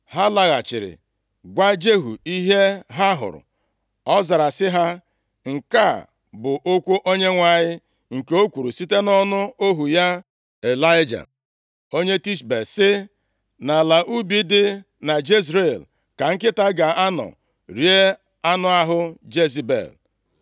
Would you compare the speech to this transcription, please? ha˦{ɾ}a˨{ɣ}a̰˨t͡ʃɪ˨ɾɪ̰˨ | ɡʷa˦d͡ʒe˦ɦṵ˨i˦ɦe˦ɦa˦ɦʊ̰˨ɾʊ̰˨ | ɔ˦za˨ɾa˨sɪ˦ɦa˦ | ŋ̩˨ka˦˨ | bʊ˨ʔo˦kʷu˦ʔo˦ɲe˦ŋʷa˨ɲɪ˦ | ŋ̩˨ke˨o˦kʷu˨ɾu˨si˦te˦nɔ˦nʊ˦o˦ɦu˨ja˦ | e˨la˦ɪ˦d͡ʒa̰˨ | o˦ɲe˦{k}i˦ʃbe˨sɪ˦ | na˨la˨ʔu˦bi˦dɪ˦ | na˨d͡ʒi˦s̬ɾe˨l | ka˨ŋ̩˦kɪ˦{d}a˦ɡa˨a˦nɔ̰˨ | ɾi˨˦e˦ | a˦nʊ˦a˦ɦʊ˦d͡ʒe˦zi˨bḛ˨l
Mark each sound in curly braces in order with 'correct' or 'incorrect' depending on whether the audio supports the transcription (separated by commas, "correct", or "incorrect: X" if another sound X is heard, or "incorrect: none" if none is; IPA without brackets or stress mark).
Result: incorrect: l, correct, incorrect: t, incorrect: t